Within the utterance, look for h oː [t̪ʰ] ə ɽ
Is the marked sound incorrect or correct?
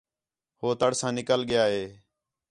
incorrect